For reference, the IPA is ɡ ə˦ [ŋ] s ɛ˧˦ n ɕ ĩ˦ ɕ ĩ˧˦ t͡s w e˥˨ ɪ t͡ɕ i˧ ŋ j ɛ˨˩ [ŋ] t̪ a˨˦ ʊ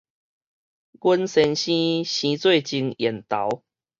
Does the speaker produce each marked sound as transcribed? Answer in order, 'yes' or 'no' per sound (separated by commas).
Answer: no, no